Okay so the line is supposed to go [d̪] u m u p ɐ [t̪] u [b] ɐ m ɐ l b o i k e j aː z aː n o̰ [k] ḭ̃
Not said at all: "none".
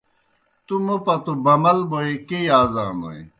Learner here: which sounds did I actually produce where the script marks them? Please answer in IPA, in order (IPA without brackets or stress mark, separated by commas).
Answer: t̪, t̪, b, none